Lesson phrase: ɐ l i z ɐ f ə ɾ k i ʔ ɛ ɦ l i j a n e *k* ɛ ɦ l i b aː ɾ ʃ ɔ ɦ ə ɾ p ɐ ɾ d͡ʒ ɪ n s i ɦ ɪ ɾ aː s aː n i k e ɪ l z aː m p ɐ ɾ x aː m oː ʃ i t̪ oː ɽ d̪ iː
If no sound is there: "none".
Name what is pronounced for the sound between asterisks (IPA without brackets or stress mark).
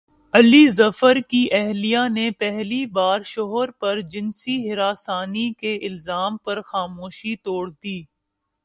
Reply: p